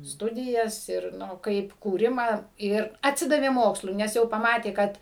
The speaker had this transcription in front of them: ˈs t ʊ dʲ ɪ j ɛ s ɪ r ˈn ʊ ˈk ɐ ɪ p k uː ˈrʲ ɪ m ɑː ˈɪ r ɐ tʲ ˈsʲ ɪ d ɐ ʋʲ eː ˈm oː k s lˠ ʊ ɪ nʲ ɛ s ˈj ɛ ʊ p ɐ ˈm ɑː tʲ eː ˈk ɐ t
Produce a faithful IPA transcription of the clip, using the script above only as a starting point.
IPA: ˈs t ʊ dʲ ɪ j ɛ s ɪ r ˈn ʊ ˈk ɐ ɪ p k uː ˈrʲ ɪ m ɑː ˈɪ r ɐ tʲ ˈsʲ ɪ d ɐ ʋʲ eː ˈm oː k s lˠ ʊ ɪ nʲ ɛ s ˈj ɛ ʊ p ɐ ˈm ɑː tʲ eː ˈk ɐ t